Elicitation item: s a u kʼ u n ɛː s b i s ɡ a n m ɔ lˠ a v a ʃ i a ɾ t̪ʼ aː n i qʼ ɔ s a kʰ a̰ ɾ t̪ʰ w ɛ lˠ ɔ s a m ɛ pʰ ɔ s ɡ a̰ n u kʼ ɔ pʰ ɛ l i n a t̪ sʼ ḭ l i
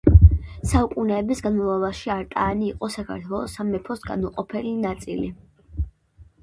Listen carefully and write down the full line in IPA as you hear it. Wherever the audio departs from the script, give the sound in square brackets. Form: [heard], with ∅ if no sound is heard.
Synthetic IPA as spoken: s a u kʼ u n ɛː [∅] b i s ɡ a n m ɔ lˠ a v a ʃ i a ɾ t̪ʼ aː n [iː] qʼ ɔ s a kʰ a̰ ɾ t̪ʰ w ɛ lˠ ɔ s a m ɛ pʰ ɔ s ɡ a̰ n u [qʼ] ɔ pʰ ɛ l i n a t̪ sʼ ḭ l i